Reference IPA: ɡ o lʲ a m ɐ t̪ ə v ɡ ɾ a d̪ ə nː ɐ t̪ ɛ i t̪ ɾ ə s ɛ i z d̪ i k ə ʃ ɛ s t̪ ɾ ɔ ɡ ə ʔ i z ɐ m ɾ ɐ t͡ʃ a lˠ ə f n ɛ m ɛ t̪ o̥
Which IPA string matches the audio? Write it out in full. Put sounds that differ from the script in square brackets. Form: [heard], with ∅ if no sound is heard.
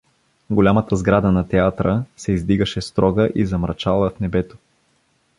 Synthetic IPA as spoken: ɡ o lʲ a m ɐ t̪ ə [z] ɡ ɾ a d̪ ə [n] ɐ t̪ ɛ [a] t̪ ɾ ə s ɛ i z d̪ i [ɡ] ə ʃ ɛ s t̪ ɾ ɔ ɡ ə ʔ i z ɐ m ɾ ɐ t͡ʃ a lˠ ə f n ɛ [b] ɛ t̪ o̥

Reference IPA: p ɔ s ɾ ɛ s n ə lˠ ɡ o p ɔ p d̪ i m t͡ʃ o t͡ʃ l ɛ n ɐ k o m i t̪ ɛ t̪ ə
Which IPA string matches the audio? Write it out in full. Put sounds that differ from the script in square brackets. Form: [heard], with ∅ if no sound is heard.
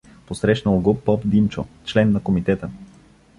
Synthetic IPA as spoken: p [o] s ɾ ɛ [ʃ] n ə lˠ ɡ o p ɔ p d̪ i m t͡ʃ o t͡ʃ l ɛ [nː] ɐ k o m i t̪ ɛ t̪ ə

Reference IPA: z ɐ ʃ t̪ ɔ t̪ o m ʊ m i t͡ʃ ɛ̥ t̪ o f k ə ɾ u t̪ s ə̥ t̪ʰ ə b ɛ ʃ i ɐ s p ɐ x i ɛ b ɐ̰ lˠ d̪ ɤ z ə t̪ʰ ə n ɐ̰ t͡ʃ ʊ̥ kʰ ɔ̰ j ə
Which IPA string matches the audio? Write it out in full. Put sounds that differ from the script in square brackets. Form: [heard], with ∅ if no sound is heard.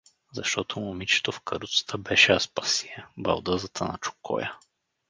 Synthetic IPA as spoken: z ɐ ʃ t̪ ɔ t̪ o m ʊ m i t͡ʃ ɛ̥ t̪ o f k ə ɾ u t̪ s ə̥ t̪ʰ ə b ɛ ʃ [ɛ] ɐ s p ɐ [s] i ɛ b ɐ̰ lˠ d̪ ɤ z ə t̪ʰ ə n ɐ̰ t͡ʃ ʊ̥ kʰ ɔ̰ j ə

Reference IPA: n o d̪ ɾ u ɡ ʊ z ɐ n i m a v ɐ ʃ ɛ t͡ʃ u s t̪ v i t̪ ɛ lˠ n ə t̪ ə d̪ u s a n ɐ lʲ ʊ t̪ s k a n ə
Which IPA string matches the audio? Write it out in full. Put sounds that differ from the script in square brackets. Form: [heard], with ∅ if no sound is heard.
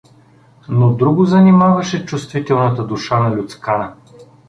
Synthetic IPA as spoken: n o d̪ ɾ u ɡ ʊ z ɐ n i m a v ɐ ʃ ɛ t͡ʃ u s t̪ v i t̪ ɛ lˠ n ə t̪ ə d̪ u [ʃ] a n ɐ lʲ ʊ t̪ s k a n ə

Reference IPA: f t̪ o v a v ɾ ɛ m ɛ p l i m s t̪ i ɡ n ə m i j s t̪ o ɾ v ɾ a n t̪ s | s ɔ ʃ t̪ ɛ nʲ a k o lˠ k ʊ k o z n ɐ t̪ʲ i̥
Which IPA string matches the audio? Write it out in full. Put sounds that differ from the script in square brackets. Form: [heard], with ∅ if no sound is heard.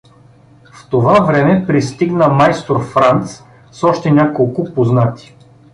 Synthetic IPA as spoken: f t̪ o v a v ɾ ɛ m ɛ p [ɾ] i [∅] s t̪ i ɡ n ə m [a] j s t̪ o ɾ [f] ɾ a n t̪ s | s ɔ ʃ t̪ ɛ nʲ a k o lˠ k ʊ [p] o z n [a] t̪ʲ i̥

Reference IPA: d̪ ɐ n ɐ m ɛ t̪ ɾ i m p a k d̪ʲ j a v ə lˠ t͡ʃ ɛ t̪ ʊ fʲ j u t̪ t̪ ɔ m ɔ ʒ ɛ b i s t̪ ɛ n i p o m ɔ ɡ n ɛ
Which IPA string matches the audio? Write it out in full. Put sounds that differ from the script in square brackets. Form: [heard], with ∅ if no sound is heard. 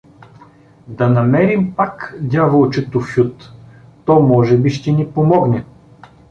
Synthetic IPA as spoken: d̪ ɐ n ɐ m ɛ [∅] ɾ i m p a k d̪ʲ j a v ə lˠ t͡ʃ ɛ t̪ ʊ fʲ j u t̪ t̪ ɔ m ɔ ʒ ɛ b i [ʃ] t̪ ɛ n i p o m ɔ ɡ n ɛ

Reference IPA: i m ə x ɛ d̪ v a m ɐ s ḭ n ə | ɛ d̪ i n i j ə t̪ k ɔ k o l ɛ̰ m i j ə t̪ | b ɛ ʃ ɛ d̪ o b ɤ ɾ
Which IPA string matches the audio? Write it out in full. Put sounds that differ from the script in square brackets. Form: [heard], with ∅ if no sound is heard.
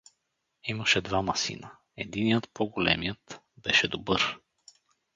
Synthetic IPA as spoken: i m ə [ʃ] ɛ d̪ v a m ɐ s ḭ n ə | ɛ d̪ i n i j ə t̪ [p] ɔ [ɡ] o l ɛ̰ m i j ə t̪ | b ɛ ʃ ɛ d̪ o b ɤ ɾ

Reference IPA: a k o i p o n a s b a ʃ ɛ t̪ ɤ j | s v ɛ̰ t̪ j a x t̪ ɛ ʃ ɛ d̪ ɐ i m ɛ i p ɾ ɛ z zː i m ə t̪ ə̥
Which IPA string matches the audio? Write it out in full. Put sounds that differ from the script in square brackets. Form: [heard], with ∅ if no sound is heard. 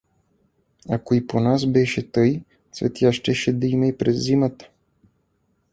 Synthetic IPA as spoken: a k o i p o n a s b [ɛ] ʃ ɛ t̪ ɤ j | s v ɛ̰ t̪ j a [ʃ] t̪ ɛ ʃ ɛ d̪ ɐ i m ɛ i p ɾ ɛ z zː i m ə t̪ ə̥

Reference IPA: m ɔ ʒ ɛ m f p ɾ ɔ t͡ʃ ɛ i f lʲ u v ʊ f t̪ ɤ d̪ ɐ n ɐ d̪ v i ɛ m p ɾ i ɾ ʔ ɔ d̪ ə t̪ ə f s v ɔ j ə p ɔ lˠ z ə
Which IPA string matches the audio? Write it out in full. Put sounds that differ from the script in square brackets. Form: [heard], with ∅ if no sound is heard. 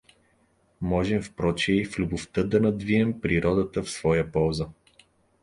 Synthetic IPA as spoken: m ɔ ʒ ɛ m f p ɾ ɔ t͡ʃ ɛ i f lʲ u [b] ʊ f t̪ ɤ d̪ ɐ n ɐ d̪ v i ɛ m p ɾ i ɾ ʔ ɔ d̪ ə t̪ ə f s v ɔ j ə p ɔ lˠ z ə

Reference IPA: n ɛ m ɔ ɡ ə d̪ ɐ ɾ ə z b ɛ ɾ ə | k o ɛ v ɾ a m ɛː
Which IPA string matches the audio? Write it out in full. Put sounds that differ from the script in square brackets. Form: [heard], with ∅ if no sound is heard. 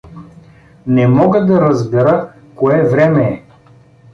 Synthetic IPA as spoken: n ɛ m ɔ ɡ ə d̪ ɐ ɾ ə z b ɛ ɾ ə | k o ɛ v ɾ [ɛ] m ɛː

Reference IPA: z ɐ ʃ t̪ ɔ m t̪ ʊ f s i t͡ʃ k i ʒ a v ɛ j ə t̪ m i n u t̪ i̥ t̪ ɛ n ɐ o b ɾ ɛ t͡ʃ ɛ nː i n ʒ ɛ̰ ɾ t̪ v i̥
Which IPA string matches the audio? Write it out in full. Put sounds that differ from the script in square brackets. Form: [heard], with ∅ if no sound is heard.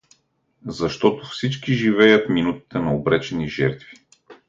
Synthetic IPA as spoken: z ɐ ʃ t̪ ɔ [∅] t̪ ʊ f s i t͡ʃ k i ʒ [i] v ɛ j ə t̪ m i n u t̪ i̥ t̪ ɛ n ɐ o b ɾ ɛ t͡ʃ ɛ [n] i [∅] ʒ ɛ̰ ɾ t̪ v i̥

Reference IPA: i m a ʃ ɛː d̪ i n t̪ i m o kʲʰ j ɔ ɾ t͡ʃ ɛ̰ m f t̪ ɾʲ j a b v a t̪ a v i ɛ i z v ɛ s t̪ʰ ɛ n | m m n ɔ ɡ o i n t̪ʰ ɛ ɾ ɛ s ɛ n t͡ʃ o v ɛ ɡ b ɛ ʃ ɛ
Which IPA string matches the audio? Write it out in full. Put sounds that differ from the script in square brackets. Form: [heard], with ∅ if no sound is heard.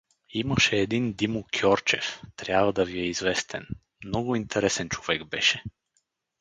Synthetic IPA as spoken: i m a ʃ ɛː d̪ i n [d̪] i m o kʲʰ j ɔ ɾ t͡ʃ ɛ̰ [∅] f t̪ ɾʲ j a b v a [d̪] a v i ɛ i z v ɛ s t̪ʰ ɛ n | m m n ɔ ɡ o i n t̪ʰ ɛ ɾ ɛ s ɛ n t͡ʃ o v ɛ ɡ b ɛ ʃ ɛ

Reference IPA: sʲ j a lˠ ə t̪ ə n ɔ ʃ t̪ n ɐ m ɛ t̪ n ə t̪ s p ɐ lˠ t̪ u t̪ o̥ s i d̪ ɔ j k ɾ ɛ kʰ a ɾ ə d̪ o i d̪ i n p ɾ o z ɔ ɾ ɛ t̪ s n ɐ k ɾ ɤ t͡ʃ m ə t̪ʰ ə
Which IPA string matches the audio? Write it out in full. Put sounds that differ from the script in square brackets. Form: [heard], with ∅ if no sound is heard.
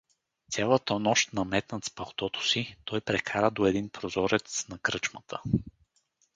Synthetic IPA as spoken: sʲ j a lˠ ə t̪ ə n ɔ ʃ t̪ n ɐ m ɛ t̪ n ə t̪ s p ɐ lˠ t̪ [ɔ] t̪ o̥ s i [t̪] ɔ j [p] ɾ ɛ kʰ a ɾ ə d̪ o [ɛ] d̪ i n p ɾ o z ɔ ɾ ɛ t̪ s n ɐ k ɾ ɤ t͡ʃ m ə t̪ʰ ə

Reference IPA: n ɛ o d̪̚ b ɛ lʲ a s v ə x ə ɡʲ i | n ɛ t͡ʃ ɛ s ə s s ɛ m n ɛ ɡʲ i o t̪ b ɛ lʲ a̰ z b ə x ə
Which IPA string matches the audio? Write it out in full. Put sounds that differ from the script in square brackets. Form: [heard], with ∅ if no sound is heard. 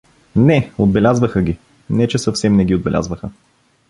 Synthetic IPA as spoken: n ɛ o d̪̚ b ɛ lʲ a [z] v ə x ə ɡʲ i | n ɛ t͡ʃ ɛ s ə [f] s ɛ m n ɛ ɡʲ i o [d̪] b ɛ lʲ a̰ z [v] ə x ə

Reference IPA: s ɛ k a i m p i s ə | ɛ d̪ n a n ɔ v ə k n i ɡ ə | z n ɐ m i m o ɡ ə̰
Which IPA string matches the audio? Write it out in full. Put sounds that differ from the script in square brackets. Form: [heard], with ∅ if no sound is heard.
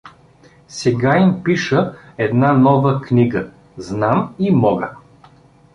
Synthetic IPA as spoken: s ɛ [ɡ] a i m p i [ʃ] ə | ɛ d̪ n a n ɔ v ə k n i ɡ ə | z n [a] m i m [ɔ] ɡ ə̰

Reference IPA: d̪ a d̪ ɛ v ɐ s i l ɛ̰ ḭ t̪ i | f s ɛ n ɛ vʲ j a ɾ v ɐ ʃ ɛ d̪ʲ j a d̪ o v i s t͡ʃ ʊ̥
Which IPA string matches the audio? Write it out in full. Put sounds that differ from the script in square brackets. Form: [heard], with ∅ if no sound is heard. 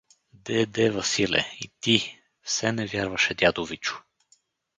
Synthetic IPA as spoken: d̪ [ɛ] d̪ ɛ v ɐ s i l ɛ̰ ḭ t̪ i | f s ɛ n ɛ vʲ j a ɾ v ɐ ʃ ɛ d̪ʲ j a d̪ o v i [∅] t͡ʃ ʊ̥

